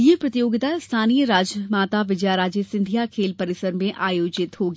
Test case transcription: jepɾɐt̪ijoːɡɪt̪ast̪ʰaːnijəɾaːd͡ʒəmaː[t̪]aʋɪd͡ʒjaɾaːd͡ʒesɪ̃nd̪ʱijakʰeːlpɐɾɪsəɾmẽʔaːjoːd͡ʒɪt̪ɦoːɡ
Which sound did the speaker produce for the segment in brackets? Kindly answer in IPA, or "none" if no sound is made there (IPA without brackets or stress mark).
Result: t̪